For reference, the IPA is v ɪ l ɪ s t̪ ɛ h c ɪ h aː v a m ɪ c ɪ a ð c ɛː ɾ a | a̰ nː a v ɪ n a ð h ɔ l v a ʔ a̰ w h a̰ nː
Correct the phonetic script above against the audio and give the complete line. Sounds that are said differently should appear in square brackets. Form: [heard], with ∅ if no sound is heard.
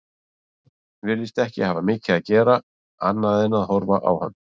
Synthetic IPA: v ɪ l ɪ s t̪ ɛ h c ɪ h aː v a m [ɪː] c ɪ a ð c ɛː ɾ a | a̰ nː a [ð] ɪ n a ð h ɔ [ɾ] v a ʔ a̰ w h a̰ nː